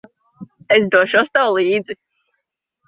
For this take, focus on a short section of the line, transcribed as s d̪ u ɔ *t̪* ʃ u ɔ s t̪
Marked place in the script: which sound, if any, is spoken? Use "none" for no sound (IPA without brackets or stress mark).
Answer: none